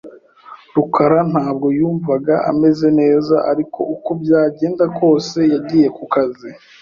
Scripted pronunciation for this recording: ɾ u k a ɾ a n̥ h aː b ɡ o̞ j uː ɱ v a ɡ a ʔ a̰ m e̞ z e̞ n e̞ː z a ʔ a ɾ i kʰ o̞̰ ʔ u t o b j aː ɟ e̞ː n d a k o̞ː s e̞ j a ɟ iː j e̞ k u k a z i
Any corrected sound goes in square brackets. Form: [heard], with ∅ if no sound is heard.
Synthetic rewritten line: ɾ u k a ɾ a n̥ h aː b ɡ o̞ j uː ɱ v a ɡ a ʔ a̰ m e̞ z e̞ n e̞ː z a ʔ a ɾ i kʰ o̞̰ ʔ u [k] o b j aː ɟ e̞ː n d a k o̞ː s e̞ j a ɟ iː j e̞ k u k a z i